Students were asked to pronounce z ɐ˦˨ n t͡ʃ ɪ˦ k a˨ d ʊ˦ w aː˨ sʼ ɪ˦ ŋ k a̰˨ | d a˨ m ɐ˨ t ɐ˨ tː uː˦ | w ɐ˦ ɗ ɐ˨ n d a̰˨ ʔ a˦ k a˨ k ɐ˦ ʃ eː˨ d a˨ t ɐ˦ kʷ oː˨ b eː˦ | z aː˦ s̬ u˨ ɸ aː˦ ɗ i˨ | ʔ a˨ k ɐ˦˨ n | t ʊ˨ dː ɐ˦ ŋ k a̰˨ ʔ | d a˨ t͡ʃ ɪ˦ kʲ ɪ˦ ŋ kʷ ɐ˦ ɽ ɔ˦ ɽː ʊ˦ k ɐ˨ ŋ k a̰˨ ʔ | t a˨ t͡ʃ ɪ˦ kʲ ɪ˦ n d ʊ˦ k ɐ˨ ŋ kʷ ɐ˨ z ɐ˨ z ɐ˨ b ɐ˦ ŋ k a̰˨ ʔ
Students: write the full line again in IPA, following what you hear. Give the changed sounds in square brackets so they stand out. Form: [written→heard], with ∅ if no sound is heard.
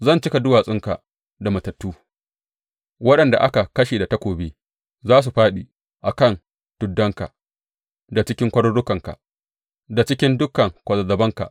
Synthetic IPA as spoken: z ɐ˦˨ n t͡ʃ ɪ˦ k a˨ d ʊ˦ w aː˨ sʼ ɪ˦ ŋ k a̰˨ | d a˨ m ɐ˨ t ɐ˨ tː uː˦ | w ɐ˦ ɗ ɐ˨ n d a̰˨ ʔ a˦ k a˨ k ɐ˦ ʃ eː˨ d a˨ t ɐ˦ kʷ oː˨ b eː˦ | z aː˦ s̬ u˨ ɸ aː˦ ɗ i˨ | ʔ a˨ k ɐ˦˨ n | t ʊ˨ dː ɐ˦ ŋ k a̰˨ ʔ | d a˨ t͡ʃ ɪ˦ kʲ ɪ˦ ŋ kʷ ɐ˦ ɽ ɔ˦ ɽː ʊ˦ k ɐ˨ ŋ k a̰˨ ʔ | [t→d] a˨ t͡ʃ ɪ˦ kʲ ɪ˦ n d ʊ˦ k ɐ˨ ŋ kʷ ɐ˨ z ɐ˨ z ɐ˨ b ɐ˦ ŋ k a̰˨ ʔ